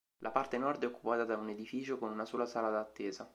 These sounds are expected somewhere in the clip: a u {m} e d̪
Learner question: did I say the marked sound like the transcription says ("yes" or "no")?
no